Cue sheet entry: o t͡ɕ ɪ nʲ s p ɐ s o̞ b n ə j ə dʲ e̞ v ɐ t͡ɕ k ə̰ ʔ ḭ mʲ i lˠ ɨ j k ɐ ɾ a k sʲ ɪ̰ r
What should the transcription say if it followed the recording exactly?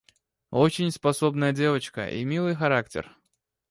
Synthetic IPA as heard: o t͡ɕ ɪ nʲ s p ɐ s o̞ b n ə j ə dʲ e̞ v ə t͡ɕ k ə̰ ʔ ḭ mʲ i lˠ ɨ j x ɐ ɾ a k tʲ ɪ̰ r